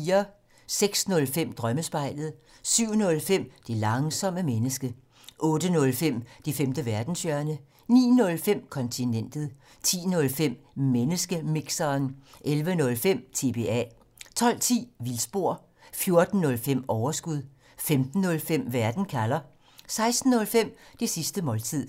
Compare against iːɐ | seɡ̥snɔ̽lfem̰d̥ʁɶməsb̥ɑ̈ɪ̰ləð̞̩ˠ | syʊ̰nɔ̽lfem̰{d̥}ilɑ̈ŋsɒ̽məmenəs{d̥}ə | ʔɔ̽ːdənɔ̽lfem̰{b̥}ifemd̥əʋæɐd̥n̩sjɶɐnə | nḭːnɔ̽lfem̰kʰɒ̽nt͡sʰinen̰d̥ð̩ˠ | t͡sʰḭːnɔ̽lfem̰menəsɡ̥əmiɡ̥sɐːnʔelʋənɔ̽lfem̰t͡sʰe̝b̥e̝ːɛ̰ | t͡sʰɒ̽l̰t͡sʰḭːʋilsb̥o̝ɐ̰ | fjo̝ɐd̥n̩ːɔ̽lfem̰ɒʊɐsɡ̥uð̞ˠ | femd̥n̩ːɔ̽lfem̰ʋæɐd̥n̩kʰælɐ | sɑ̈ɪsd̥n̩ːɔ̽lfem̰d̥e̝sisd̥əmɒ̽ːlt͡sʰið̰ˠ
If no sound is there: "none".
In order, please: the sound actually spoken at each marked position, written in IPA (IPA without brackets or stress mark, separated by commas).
d̥, ɡ̥, d̥